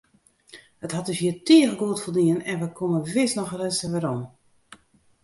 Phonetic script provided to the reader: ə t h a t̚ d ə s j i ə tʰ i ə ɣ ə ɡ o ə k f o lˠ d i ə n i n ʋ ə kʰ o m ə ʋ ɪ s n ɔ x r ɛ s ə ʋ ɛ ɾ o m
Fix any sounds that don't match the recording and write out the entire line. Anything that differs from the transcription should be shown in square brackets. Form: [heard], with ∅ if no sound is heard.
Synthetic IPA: ə t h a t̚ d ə s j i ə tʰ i ə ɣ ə ɡ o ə [t] f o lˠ d i ə n [ɛ] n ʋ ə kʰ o m ə ʋ ɪ s n ɔ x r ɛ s ə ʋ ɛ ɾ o m